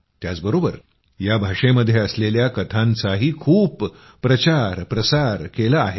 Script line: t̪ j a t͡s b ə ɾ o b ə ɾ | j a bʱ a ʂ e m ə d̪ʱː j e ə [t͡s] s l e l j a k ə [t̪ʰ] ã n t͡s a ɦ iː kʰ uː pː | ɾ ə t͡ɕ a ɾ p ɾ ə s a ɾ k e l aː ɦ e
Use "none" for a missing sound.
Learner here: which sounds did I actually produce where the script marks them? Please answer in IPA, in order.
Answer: none, t̪ʰ

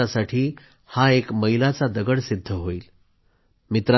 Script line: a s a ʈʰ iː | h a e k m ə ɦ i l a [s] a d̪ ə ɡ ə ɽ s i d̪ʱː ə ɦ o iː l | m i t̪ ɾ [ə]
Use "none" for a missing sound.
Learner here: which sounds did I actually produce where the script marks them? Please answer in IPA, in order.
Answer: t͡s, a

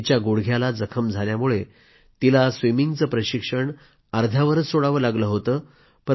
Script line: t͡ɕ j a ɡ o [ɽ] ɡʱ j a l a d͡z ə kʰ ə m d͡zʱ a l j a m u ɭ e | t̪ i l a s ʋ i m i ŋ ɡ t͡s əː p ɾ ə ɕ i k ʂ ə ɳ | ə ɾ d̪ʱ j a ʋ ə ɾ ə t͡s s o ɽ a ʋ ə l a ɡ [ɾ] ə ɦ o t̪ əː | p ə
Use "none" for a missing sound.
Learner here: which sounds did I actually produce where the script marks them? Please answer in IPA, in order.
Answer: ɽ, l

